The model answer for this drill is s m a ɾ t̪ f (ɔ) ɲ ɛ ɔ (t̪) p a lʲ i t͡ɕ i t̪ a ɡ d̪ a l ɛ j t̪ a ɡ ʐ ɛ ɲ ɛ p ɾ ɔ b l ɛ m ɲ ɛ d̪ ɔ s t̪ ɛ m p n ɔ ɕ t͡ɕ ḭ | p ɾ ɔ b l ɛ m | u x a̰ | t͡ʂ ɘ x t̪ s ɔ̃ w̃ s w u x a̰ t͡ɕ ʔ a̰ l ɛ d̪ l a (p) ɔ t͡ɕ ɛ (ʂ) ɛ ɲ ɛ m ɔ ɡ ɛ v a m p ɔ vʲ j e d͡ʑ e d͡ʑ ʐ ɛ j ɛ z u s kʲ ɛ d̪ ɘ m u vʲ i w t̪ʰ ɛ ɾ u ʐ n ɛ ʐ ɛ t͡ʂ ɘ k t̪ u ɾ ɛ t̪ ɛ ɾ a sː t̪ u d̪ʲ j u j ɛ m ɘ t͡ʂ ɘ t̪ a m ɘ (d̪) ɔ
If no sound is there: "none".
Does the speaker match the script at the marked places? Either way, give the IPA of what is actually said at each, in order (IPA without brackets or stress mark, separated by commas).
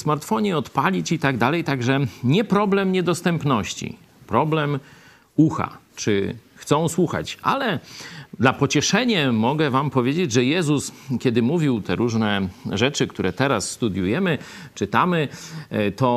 ɔ, t̪, p, ʂ, t̪